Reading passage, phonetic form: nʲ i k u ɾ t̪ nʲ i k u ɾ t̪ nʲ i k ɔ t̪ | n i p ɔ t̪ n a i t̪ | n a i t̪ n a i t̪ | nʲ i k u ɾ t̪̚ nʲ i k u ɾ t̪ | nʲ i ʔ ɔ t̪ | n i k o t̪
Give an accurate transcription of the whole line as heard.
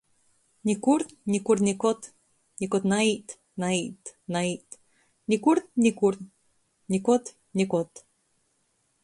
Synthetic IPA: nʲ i k u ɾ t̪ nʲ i k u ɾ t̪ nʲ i k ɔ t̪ | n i k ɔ t̪ n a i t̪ | n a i t̪ n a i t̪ | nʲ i k u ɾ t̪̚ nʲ i k u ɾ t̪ | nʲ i k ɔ t̪ | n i k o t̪